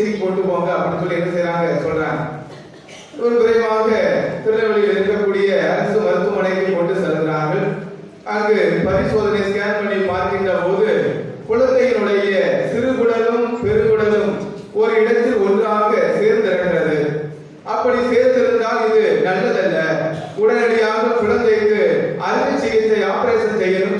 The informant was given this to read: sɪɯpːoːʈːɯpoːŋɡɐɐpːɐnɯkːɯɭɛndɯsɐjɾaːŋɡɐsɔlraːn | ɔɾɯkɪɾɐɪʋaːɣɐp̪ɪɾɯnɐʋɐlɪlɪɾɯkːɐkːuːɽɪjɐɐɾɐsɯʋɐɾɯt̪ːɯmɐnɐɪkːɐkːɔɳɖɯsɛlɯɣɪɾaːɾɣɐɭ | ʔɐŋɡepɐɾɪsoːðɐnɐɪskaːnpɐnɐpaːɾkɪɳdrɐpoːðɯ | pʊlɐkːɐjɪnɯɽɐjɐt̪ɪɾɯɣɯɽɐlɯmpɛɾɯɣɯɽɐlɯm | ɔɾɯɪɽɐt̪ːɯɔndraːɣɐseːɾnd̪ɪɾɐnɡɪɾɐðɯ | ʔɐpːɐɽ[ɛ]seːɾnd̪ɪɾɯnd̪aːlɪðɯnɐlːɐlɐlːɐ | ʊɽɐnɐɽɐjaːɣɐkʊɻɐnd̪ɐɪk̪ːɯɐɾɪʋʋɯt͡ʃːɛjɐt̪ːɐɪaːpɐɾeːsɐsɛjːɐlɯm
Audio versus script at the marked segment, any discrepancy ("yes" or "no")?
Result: yes